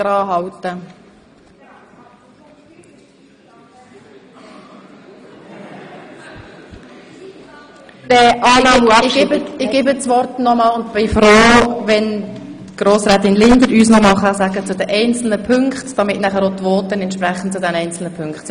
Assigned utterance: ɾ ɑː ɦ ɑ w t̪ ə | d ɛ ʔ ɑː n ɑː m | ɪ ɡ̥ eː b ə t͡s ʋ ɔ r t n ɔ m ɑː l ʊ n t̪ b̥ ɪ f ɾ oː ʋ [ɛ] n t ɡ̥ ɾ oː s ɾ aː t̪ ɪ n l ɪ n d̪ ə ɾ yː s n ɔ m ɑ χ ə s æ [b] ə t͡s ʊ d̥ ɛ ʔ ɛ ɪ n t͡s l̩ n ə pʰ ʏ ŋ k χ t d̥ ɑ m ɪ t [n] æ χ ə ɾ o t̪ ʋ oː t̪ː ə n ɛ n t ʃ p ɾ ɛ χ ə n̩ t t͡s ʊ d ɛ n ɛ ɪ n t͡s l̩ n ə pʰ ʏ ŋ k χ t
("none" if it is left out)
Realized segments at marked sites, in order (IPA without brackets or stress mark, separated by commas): ɛ, ɡ, n